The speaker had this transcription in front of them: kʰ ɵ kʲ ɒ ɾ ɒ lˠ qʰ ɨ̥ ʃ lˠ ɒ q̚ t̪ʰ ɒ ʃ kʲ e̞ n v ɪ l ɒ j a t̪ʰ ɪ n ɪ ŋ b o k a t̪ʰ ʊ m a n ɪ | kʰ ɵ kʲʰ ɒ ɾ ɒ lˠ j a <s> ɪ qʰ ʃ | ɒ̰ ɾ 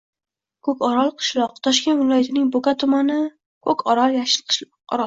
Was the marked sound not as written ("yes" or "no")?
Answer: yes